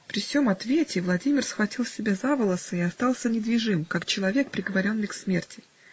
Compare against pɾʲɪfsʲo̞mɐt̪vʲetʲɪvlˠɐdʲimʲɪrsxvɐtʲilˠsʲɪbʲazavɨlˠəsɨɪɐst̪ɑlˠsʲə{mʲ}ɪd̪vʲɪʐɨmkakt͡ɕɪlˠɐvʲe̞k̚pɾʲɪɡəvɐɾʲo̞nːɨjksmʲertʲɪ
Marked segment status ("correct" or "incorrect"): incorrect